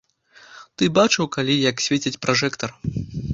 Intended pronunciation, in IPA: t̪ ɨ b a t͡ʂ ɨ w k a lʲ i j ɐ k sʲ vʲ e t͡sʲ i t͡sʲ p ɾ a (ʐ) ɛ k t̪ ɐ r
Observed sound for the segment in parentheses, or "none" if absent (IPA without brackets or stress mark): ʐ